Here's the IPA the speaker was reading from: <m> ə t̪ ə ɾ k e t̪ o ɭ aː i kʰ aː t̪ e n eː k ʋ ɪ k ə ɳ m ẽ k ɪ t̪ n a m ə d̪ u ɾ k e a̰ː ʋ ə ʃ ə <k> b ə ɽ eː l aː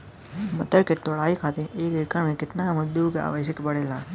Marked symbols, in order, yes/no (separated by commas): yes, yes